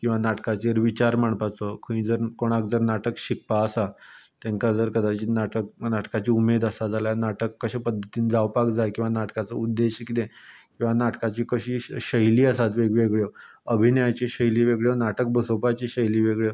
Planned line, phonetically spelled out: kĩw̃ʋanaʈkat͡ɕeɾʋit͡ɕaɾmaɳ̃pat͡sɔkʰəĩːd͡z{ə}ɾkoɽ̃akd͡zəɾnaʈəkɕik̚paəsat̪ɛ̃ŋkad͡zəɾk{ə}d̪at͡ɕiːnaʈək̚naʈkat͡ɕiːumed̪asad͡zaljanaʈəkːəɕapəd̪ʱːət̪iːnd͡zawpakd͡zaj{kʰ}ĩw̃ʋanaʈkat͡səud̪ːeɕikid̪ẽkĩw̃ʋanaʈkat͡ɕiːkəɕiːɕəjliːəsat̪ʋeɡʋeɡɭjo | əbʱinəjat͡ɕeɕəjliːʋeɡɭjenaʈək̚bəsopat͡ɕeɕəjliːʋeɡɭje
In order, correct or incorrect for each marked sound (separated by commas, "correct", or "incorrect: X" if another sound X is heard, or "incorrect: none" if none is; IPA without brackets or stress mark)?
correct, correct, incorrect: k